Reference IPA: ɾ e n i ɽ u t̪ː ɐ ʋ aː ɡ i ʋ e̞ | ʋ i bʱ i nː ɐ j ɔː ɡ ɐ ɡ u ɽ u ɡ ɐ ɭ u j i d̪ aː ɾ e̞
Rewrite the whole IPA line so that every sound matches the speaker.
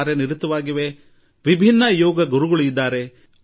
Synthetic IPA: ɾ e n i ɾ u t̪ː ɐ ʋ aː ɡ i ʋ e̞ | ʋ i bʱ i nː ɐ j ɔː ɡ ɐ ɡ u ɾ u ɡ ɐ ɭ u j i d̪ː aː ɾ e̞